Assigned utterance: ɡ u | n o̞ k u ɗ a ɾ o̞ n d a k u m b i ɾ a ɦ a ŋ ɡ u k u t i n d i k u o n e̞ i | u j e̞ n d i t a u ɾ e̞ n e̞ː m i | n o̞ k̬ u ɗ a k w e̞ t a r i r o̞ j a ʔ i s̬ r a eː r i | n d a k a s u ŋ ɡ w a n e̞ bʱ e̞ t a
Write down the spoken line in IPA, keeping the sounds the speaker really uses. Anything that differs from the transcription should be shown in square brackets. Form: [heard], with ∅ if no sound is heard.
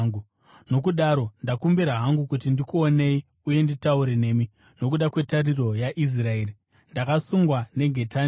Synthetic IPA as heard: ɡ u | n o̞ k u ɗ a ɾ o̞ n d a k u m b i ɾ a ɦ a ŋ ɡ u k u t i n d i k u o n e̞ i | u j e̞ n d i t a u ɾ e̞ n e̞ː m i | n o̞ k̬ u ɗ a k w e̞ t a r i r o̞ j a ʔ i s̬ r a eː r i | n d a k a s u ŋ ɡ w a n e̞ [ɡʱ] e̞ t a